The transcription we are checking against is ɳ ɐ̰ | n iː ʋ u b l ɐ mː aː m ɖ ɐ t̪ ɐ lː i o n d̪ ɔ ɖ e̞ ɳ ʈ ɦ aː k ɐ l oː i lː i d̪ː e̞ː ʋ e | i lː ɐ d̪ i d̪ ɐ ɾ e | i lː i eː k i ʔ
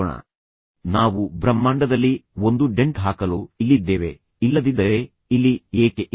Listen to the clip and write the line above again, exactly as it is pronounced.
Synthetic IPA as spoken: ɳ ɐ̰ | n aː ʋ u b ɾ ɐ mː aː ɳ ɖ ɐ d̪ ɐ lː i o n d̪ u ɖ e̞ ɳ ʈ ɦ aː k ɐ l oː i lː i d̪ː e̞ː ʋ e | i lː ɐ d̪ i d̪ ɐ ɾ e | i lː i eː k e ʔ

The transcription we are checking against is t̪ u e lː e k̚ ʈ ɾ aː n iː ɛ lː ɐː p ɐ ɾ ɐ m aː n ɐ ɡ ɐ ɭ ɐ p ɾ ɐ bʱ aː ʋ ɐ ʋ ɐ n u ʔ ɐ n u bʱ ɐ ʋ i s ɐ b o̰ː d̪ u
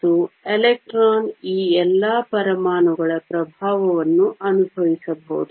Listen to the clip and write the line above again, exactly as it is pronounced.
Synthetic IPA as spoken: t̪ u e l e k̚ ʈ ɾ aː n iː ɛ lː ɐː p ɐ ɾ ɐ m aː n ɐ ɡ ɐ ɭ ɐ p ɾ ɐ bʱ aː ʋ ɐ ʋ ɐ nː u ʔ ɐ n u bʱ ɐ ʋ i s ɐ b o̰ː d̪ u

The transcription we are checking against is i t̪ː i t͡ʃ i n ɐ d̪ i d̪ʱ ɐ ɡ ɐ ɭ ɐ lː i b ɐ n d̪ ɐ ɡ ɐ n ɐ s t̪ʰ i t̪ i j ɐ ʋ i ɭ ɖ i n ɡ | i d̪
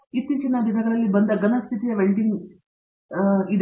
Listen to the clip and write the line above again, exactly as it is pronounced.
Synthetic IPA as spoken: i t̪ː i t͡ʃ i n ɐ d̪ i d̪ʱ ɐ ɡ ɐ ɭ ɐ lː i b ɐ n d̪ ɐ ɡ ɐ n ɐ s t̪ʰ i t̪ i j ɐ ʋ e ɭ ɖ i ŋ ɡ | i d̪

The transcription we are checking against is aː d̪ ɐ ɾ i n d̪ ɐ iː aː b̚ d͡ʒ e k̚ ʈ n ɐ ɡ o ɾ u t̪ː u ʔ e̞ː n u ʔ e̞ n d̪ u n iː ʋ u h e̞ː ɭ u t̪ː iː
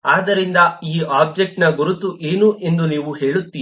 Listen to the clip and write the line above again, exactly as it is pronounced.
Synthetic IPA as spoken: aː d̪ ɐ ɾ i n d̪ ɐ iː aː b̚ d͡ʒ e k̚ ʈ n ɐ ɡ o ɾ u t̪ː u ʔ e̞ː n u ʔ e̞ n d̪ u n iː ʋ u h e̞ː ɭ u t̪ː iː

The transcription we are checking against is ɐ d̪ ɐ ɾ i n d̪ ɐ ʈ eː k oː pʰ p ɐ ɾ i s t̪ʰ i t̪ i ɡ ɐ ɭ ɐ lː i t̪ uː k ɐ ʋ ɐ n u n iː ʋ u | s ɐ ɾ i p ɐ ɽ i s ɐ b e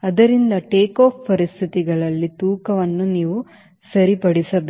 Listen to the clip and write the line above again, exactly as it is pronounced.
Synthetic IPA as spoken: ɐ d̪ ɐ ɾ i n d̪ ɐ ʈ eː k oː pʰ p ɐ ɾ i s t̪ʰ i t̪ i ɡ ɐ ɭ ɐ lː i t̪ uː k ɐ ʋ ɐ nː u n iː ʋ u | s ɐ ɾ i p ɐ ɽ i s ɐ b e

